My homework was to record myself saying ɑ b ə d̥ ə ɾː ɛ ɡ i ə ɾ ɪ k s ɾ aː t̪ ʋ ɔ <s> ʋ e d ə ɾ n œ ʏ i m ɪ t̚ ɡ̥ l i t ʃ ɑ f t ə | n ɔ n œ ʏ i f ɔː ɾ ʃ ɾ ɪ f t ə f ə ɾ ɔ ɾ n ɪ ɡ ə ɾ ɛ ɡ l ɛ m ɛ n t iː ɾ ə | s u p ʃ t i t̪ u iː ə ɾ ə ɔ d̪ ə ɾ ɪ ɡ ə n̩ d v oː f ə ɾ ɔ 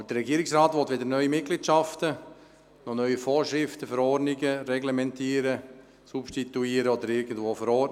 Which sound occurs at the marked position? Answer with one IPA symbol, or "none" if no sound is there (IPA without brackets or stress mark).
t